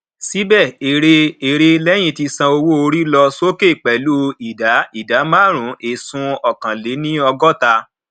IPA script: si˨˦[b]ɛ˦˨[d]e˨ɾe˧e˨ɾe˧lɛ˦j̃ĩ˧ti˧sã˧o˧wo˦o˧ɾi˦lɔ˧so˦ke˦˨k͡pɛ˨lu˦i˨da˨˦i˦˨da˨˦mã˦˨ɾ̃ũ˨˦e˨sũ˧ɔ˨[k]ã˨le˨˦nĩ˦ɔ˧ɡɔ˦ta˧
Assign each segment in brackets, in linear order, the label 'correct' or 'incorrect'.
correct, incorrect: none, correct

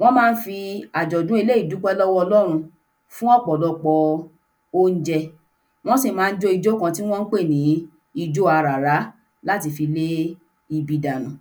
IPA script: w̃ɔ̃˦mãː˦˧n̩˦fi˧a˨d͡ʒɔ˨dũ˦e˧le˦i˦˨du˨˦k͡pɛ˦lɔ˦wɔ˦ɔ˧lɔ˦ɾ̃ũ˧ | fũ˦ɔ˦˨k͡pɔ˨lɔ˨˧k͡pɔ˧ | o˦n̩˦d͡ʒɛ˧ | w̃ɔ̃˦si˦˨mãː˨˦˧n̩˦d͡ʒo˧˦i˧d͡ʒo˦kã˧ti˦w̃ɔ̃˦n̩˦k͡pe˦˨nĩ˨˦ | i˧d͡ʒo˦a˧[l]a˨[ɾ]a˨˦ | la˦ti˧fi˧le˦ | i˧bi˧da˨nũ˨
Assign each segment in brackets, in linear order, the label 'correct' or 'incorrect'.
incorrect: ɾ, correct

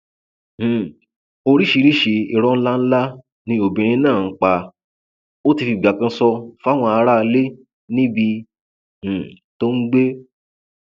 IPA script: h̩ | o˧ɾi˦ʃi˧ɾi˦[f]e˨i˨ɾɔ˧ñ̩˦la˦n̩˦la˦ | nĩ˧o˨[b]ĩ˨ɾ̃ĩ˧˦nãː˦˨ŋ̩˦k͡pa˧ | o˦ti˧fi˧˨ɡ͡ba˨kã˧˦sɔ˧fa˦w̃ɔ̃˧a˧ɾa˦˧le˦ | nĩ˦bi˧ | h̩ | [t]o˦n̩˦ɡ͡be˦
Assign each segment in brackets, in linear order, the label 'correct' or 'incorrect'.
incorrect: ʃ, correct, correct

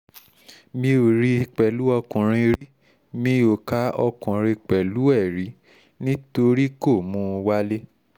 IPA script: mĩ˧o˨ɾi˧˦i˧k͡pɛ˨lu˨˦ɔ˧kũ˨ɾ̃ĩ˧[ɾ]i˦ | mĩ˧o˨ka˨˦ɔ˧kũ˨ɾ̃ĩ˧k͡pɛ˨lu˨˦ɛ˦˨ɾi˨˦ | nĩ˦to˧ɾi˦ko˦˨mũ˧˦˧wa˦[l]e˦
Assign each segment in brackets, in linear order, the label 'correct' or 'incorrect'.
correct, correct

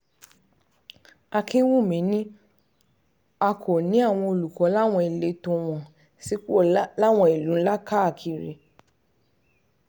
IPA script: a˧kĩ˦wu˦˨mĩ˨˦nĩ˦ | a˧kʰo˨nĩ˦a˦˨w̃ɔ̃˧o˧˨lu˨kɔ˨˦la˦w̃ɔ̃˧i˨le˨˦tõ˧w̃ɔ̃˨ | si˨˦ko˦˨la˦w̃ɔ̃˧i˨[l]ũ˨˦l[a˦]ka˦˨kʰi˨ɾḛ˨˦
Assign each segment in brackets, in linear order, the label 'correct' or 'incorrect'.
correct, correct

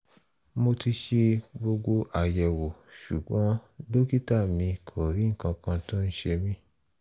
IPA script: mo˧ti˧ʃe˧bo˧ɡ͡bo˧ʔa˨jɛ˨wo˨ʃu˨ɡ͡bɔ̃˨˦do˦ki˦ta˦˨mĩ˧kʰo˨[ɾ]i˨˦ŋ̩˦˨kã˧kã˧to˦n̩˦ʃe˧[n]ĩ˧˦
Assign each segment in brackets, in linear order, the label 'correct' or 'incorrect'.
correct, incorrect: m

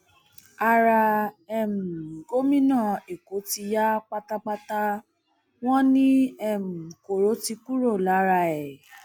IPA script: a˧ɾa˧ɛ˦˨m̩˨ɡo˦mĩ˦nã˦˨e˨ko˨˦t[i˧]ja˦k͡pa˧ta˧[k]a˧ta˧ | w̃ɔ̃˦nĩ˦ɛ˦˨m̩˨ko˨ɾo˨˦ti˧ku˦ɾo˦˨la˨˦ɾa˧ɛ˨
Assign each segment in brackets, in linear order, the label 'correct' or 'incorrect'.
correct, incorrect: k͡p

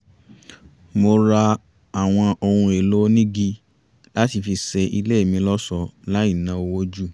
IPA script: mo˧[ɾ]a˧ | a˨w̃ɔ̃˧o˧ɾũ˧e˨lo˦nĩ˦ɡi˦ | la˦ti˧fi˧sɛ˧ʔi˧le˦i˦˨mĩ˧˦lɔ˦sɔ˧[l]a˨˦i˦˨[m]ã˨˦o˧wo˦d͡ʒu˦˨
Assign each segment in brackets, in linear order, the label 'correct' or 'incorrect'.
correct, correct, incorrect: n

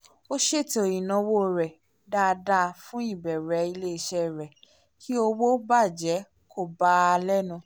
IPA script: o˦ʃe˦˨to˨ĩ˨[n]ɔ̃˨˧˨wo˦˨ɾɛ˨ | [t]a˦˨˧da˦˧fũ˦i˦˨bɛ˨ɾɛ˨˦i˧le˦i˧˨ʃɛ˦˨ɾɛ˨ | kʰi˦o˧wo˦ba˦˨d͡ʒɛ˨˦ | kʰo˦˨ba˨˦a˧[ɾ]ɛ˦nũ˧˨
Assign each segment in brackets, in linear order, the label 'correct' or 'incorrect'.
correct, incorrect: d, incorrect: l

